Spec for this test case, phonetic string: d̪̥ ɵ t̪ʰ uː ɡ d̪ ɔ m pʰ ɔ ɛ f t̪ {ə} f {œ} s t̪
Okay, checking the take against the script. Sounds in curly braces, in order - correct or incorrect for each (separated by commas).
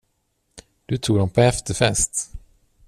correct, incorrect